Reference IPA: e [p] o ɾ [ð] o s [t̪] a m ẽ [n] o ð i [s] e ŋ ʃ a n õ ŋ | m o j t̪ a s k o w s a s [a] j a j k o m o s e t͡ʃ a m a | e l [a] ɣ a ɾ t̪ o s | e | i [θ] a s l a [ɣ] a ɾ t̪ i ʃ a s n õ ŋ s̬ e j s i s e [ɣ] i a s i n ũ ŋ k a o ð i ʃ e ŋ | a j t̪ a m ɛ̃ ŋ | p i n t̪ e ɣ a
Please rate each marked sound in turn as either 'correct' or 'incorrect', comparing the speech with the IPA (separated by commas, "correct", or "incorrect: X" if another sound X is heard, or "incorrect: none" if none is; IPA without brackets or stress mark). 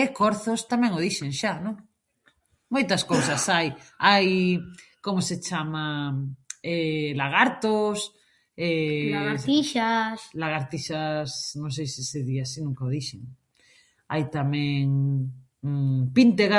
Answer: incorrect: k, incorrect: θ, correct, incorrect: ŋ, incorrect: ʃ, correct, correct, incorrect: ʃ, correct, incorrect: ð